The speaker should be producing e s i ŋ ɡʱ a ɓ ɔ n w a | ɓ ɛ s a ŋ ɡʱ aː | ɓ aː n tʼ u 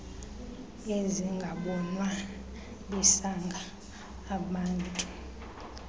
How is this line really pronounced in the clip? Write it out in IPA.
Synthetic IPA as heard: e z i ŋ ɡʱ a ɓ ɔ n w a | ɓ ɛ s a ŋ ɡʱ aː | ɓ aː n tʼ u